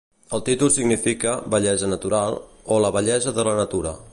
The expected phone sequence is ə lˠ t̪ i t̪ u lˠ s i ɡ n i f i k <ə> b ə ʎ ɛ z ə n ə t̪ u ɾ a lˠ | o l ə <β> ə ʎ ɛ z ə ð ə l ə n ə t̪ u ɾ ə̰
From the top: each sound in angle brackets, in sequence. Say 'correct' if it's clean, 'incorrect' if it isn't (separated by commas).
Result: correct, correct